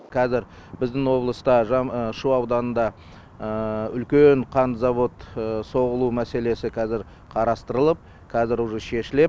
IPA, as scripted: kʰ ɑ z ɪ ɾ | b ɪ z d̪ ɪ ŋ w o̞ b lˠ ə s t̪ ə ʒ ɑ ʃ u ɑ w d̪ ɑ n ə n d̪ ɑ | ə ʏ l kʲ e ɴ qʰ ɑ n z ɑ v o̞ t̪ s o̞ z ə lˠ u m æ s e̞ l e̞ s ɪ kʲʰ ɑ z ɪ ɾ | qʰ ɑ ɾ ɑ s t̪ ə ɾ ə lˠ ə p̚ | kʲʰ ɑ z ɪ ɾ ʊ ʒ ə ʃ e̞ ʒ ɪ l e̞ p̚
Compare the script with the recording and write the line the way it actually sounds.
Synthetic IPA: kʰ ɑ z ɪ ɾ | b ɪ z d̪ ɪ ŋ w o̞ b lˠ ə s t̪ ɑ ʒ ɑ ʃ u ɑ w d̪ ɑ n ə n d̪ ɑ | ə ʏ l kʲ e ɴ qʰ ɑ n z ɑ v o̞ t̪ s o̞ ʁ ə lˠ u m æ s e̞ l e̞ s ɪ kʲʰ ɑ z ɪ ɾ | qʰ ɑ ɾ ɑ s t̪ ə ɾ ə lˠ ə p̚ | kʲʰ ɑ z ɪ ɾ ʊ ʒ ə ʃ e̞ ʃ ɪ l e̞ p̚